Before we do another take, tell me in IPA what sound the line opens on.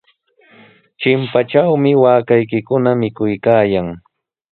t͡ʃ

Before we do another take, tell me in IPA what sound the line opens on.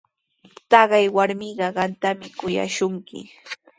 t̪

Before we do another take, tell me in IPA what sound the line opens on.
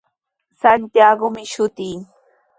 s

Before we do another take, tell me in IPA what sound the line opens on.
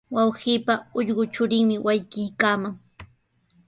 w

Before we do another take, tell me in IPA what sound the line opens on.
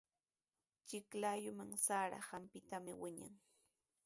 t͡ʃ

